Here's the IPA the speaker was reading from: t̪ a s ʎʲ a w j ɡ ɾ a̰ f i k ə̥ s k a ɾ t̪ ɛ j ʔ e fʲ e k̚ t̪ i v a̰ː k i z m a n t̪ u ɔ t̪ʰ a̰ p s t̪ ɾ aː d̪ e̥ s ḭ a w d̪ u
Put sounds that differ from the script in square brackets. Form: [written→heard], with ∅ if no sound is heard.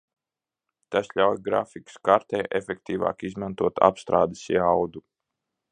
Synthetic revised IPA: t̪ a s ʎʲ a w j ɡ ɾ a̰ f i k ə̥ s k a ɾ t̪ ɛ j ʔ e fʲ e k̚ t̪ [i→iː] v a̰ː k i z m a n t̪ u ɔ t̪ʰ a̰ p s t̪ ɾ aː d̪ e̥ s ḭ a w d̪ u